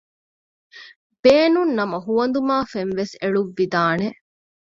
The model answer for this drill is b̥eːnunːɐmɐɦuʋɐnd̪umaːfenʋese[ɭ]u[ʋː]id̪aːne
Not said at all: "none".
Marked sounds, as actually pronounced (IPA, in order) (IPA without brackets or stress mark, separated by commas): ɭ, ʋː